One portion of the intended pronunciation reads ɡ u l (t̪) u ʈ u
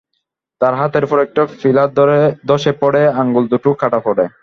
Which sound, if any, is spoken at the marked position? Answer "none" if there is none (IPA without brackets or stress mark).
d̪